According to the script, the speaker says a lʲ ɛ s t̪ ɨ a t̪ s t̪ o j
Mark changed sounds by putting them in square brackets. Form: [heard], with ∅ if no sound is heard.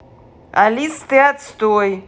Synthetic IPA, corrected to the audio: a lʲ [i] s t̪ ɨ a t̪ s t̪ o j